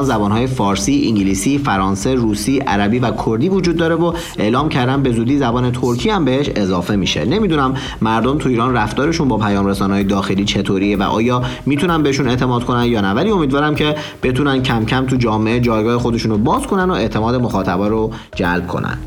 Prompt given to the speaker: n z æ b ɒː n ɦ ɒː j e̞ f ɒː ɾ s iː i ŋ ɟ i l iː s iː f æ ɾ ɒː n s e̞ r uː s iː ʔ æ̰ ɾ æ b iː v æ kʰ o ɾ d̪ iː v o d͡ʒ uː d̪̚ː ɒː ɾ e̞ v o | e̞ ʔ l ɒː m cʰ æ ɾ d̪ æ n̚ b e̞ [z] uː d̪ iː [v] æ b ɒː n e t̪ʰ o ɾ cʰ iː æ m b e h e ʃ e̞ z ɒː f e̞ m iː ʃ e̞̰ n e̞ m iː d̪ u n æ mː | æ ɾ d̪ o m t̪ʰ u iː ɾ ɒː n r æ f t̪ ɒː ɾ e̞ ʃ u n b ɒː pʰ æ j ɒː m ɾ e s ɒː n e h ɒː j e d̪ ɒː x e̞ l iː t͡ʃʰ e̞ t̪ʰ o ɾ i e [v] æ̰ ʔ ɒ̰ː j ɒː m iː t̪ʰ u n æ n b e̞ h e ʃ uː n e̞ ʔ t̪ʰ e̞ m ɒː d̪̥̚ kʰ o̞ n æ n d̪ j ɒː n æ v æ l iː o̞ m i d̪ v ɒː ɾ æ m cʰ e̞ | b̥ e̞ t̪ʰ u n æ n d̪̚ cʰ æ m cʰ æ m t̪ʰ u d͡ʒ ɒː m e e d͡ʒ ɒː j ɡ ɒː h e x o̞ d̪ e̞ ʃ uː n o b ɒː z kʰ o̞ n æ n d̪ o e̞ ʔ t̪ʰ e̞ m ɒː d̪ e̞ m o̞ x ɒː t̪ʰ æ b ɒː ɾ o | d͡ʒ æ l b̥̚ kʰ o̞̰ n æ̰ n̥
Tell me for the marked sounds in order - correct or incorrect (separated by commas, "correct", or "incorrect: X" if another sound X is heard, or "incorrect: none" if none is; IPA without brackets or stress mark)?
correct, incorrect: z, correct